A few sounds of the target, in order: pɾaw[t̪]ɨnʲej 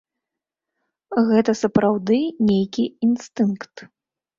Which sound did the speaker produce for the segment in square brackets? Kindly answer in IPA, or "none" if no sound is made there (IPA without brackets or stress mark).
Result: d̪